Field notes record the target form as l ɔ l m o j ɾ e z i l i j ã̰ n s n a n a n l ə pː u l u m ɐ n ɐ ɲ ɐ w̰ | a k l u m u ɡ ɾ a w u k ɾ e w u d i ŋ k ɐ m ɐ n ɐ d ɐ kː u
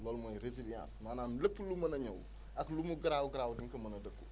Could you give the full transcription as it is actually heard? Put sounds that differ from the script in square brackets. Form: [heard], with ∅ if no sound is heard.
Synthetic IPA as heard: l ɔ l m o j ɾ e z i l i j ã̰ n s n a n a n l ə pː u l u m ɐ n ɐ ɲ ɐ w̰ | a k l u m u ɡ ɾ a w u [ɡ] ɾ [a] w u d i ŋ k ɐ m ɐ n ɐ d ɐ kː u